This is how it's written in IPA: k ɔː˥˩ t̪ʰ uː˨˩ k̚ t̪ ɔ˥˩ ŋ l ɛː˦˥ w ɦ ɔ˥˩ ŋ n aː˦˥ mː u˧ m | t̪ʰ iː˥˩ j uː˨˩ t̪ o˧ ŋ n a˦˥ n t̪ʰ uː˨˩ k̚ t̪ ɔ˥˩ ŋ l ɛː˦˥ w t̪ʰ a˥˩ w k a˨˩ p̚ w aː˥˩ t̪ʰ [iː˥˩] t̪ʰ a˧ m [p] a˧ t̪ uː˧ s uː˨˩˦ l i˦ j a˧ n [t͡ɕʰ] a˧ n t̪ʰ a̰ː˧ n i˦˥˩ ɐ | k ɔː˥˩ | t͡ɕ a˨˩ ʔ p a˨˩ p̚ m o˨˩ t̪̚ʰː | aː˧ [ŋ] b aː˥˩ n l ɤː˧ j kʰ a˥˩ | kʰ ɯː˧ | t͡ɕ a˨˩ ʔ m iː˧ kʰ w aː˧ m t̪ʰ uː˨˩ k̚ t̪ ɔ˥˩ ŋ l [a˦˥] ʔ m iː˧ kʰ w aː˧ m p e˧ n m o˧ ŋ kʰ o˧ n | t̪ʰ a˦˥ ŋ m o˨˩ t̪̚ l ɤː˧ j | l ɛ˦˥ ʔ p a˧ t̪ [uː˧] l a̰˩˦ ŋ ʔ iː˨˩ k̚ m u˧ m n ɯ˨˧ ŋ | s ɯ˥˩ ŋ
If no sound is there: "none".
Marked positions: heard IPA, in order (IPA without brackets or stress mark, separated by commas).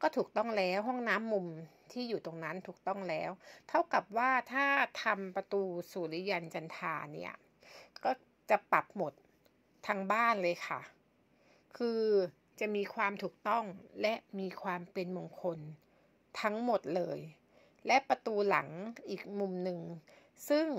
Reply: aː˥˩, p, t͡ɕ, ŋ, ɛ˦˥, uː˧